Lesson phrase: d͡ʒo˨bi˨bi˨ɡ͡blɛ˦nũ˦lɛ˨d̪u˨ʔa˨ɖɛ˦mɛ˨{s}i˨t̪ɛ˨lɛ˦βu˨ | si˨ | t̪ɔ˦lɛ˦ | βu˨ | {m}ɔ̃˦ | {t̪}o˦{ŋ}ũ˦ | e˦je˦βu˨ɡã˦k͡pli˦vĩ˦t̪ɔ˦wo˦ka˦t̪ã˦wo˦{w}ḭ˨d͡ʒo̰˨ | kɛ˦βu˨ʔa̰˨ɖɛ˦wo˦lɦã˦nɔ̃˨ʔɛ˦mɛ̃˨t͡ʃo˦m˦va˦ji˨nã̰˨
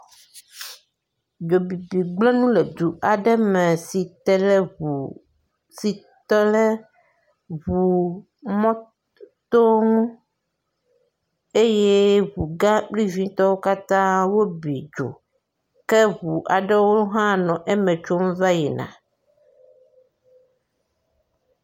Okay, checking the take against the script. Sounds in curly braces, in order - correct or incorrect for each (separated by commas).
correct, correct, correct, correct, incorrect